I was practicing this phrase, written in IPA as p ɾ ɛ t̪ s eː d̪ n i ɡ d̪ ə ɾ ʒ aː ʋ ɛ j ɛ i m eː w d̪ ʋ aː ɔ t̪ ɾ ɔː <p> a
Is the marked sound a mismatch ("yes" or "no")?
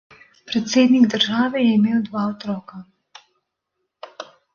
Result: yes